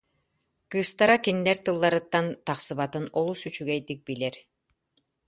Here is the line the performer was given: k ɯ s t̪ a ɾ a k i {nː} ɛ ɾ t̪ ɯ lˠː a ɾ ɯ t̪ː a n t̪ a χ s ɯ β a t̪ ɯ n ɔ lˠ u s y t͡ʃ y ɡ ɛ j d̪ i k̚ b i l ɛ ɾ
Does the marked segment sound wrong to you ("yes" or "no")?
no